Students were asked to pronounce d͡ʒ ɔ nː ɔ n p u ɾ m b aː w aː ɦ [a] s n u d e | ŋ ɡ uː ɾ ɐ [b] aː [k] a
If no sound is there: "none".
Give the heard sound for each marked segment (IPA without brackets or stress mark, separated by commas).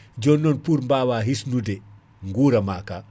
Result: i, m, k